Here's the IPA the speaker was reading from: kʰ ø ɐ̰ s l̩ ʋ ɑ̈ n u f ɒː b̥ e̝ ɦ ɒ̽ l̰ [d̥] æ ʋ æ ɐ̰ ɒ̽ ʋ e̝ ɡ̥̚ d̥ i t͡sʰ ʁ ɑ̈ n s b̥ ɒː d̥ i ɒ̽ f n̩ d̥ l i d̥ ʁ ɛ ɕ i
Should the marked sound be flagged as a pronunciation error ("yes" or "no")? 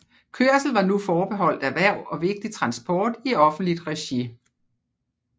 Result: no